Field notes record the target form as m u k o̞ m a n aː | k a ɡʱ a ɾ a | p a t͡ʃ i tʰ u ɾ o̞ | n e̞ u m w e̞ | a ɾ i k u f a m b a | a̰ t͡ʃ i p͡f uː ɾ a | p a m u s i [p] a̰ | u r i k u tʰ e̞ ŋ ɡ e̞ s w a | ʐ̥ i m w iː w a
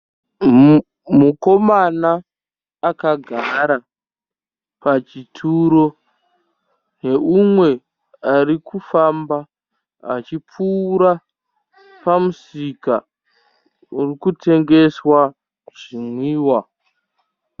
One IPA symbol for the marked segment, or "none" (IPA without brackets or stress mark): k